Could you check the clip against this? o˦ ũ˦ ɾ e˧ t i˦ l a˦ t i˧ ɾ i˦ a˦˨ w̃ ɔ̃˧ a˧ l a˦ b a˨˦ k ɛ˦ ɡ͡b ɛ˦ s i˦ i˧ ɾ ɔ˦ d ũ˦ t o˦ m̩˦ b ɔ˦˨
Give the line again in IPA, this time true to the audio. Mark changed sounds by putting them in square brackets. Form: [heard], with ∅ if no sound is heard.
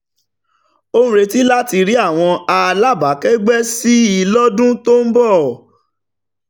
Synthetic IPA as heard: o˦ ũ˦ ɾ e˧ t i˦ l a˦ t i˧ ɾ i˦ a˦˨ w̃ ɔ̃˧ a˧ l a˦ b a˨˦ k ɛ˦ ɡ͡b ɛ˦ s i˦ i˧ [l] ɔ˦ d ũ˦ t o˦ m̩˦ b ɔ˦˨